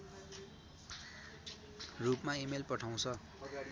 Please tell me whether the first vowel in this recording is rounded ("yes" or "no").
yes